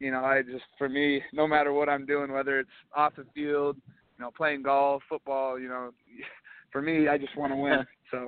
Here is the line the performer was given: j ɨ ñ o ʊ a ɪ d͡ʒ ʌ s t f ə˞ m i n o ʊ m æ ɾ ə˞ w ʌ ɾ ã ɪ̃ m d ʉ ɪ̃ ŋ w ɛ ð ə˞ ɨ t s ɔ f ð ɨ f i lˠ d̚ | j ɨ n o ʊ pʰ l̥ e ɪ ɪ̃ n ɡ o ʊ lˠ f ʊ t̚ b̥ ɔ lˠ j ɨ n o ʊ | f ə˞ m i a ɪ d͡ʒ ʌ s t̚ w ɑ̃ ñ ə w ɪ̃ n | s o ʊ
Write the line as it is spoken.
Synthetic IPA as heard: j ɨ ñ o ʊ a ɪ d͡ʒ ʌ s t f ə˞ m i n o ʊ m æ ɾ ə˞ w ʌ ɾ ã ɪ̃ m d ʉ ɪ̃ ŋ w ɛ ð ə˞ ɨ t s ɔ f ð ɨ f i lˠ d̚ | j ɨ n o ʊ pʰ l̥ e ɪ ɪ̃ ŋ ɡ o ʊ lˠ f ʊ t̚ b̥ ɔ lˠ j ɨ n o ʊ | f ə˞ m i a ɪ d͡ʒ ʌ s t̚ w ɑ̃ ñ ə w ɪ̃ n | s o ʊ